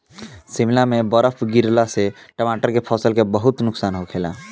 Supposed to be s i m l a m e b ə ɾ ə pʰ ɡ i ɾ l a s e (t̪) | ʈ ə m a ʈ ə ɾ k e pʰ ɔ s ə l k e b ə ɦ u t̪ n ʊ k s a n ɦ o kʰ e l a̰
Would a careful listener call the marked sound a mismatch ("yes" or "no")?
yes